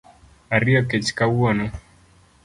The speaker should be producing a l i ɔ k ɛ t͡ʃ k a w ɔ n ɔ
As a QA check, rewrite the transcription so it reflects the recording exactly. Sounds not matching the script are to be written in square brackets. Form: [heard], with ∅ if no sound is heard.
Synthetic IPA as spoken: a [ɾ] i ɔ k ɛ t͡ʃ k a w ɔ n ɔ